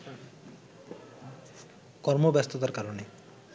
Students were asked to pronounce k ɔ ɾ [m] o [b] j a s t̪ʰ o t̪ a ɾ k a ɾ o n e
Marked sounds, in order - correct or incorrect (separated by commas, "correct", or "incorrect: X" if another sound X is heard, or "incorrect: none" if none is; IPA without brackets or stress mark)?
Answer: correct, correct